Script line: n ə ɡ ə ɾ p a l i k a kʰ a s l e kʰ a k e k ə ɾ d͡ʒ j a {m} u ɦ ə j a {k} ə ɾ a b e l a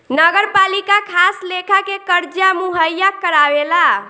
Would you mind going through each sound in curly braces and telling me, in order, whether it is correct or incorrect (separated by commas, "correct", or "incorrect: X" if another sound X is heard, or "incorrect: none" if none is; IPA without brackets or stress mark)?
correct, correct